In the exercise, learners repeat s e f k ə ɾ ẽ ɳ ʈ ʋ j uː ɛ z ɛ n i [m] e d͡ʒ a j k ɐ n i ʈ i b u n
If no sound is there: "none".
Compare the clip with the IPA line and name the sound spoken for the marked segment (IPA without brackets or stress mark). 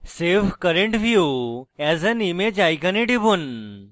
m